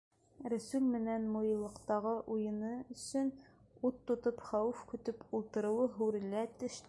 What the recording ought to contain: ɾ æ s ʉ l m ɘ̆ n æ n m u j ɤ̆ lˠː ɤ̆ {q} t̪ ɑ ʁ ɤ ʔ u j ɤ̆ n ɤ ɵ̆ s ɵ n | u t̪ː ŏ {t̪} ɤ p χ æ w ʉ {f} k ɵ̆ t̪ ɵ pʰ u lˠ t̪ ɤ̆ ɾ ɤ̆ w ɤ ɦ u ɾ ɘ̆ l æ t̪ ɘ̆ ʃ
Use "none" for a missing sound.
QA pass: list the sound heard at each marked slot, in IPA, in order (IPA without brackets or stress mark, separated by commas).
q, t̪, f